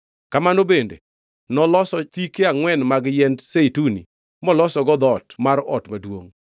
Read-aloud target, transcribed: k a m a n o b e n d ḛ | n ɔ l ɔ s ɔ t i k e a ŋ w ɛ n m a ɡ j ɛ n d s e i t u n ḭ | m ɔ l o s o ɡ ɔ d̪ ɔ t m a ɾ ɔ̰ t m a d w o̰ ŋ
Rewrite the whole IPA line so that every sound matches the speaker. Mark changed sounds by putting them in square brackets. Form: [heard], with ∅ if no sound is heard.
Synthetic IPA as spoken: k a m a n o b e n d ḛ | n ɔ l ɔ s ɔ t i k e a ŋ w ɛ n m a ɡ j ɛ n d s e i t u n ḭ | m ɔ l [ɔ] s [ɔ] ɡ ɔ d̪ ɔ t m a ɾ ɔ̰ t m a d w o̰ ŋ